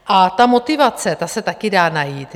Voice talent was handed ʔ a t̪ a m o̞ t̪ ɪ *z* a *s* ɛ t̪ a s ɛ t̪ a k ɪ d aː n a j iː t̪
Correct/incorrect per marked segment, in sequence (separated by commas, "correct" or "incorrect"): incorrect, incorrect